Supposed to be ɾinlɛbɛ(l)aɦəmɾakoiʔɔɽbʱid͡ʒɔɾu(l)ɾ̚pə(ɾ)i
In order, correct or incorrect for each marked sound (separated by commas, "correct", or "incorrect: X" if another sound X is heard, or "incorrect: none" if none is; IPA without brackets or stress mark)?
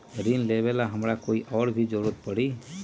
correct, incorrect: none, incorrect: ɽ